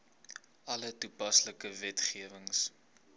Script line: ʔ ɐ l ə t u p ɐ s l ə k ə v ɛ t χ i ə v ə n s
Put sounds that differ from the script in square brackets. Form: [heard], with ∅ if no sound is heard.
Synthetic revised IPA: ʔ ɐ l ə t u p ɐ s l ə k ə v ɛ t χ i ə v ə [ŋ] s